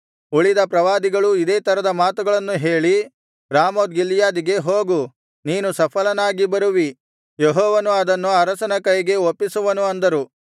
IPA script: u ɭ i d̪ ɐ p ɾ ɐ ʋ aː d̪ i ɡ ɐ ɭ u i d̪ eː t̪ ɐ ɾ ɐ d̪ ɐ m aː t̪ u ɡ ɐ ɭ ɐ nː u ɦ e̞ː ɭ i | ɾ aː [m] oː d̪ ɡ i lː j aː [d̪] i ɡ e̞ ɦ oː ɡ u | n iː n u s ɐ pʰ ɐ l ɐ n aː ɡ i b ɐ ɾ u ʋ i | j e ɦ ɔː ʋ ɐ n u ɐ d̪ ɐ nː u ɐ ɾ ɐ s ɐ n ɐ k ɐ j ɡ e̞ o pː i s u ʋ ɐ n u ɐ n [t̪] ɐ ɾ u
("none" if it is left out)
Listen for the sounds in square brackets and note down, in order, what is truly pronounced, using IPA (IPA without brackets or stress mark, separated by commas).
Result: m, d̪, d̪